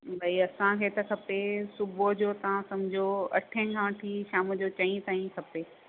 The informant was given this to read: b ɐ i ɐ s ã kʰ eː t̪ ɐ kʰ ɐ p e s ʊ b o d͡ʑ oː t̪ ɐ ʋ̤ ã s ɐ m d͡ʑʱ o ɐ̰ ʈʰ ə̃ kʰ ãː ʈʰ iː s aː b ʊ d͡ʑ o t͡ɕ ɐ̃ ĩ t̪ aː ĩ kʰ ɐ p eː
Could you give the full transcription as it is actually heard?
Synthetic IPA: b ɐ i ɐ s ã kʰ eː t̪ ɐ kʰ ɐ p e s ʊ b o d͡ʑ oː t̪ ɐ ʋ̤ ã s ɐ m d͡ʑʱ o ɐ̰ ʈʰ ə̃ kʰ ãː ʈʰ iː ʃ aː m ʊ d͡ʑ o t͡ɕ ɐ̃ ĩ t̪ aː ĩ kʰ ɐ p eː